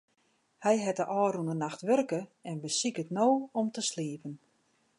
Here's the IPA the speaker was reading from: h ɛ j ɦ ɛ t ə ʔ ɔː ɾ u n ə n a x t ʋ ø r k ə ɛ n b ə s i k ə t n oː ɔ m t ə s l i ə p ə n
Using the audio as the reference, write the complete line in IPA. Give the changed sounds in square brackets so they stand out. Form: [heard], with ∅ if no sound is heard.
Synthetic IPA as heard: h ɛ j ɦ ɛ t ə ʔ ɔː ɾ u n ə n a x t ʋ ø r k ə ɛ n b ə s i k ə t n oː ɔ m t ə s l i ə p ə n

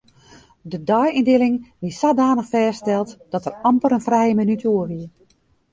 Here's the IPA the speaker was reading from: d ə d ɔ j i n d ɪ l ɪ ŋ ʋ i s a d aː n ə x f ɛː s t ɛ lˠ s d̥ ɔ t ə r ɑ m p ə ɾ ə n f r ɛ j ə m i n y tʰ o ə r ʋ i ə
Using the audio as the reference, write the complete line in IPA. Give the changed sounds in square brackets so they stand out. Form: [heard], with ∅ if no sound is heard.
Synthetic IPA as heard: d ə d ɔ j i n d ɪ l ɪ ŋ ʋ i s a d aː n ə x f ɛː s t ɛ lˠ [t] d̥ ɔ t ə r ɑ m p ə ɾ ə n f r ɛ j ə m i n y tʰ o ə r ʋ i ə

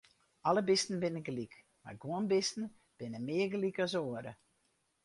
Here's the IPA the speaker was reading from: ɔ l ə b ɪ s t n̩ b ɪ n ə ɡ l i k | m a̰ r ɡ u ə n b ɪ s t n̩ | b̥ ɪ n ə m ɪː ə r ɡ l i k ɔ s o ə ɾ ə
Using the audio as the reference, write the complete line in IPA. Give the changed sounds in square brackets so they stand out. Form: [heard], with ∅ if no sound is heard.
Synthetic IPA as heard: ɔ l ə b ɪ s t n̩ b ɪ n ə ɡ l i k | m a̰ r ɡ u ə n b ɪ s t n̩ | b̥ ɪ n ə m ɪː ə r ɡ l i k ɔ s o ə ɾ ə

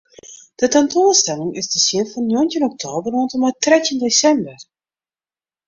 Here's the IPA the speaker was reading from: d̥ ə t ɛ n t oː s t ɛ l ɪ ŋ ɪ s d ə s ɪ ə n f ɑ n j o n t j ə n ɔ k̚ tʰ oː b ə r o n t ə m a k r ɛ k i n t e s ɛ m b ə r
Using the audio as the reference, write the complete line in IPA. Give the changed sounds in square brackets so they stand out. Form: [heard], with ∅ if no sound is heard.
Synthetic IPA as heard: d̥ ə t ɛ n t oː s t ɛ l ɪ ŋ ɪ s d ə s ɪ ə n f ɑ n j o n t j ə n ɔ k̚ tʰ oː b ə r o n t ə m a [t] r ɛ [t] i n [d] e s ɛ m b ə r

